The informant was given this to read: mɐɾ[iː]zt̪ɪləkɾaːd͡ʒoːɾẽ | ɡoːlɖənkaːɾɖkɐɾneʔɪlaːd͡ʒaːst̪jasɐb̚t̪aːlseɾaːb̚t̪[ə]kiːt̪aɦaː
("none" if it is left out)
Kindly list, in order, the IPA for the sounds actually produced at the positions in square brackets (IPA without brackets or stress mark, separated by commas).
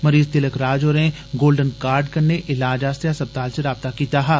iː, a